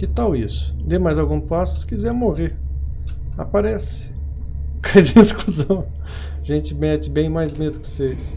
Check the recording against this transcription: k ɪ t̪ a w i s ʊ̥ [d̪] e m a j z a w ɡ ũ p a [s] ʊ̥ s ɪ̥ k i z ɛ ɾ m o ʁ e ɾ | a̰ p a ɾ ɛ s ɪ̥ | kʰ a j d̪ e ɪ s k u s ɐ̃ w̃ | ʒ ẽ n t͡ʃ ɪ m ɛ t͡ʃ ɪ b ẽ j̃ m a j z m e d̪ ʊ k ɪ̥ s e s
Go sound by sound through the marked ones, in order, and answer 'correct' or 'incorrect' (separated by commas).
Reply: correct, correct